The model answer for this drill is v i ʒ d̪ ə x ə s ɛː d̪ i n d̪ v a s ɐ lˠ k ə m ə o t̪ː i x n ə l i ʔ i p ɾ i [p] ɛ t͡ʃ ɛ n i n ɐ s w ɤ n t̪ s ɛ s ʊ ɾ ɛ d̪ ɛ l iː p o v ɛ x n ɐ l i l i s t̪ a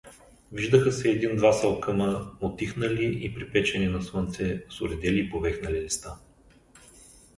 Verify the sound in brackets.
correct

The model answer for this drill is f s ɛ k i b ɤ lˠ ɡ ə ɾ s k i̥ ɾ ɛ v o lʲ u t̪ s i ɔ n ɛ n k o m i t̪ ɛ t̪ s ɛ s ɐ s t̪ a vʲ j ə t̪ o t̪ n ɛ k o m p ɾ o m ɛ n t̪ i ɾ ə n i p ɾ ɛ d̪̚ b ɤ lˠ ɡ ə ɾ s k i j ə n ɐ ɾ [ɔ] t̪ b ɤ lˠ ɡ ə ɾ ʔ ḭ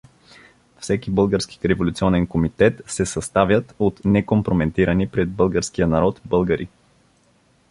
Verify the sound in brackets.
correct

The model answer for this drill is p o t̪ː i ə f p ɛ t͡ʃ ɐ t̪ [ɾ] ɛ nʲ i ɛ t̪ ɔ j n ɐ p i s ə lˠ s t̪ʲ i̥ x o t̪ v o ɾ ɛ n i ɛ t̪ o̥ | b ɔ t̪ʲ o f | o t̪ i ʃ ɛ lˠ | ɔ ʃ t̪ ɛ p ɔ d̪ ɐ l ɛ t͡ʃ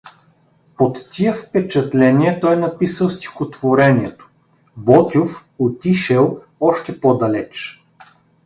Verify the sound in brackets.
incorrect: l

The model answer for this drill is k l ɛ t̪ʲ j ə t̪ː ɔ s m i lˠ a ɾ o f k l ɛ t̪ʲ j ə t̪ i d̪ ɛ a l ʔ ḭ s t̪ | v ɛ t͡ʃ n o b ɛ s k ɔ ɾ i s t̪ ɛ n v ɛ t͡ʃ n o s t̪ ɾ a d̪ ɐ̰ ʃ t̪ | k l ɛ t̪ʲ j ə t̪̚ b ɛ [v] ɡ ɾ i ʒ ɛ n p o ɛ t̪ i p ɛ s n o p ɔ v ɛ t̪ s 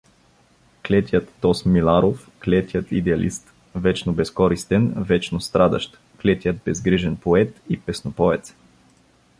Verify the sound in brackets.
incorrect: z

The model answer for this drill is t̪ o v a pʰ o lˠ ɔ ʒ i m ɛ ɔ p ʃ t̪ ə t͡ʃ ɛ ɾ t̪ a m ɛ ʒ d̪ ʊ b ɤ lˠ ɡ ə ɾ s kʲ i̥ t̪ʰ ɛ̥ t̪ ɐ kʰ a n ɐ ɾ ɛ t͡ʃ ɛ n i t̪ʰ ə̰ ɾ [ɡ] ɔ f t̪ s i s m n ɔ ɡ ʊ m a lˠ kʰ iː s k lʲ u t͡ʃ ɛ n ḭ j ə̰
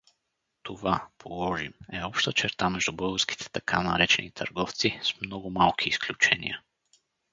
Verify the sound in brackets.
correct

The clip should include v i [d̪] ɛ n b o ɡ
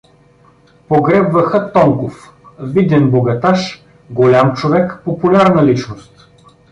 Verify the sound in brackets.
correct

